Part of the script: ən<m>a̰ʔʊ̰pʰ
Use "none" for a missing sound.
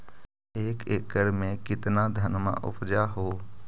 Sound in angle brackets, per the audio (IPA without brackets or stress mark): m